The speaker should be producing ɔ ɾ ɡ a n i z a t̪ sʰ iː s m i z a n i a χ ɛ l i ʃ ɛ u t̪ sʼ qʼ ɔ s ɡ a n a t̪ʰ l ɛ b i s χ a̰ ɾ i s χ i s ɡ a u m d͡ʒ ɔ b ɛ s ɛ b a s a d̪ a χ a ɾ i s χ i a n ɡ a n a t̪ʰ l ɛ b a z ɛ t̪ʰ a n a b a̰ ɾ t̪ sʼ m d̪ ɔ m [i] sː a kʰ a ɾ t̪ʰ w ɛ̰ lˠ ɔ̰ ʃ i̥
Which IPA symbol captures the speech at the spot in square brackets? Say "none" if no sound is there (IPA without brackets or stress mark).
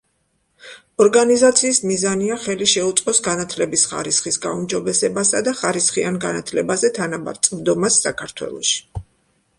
a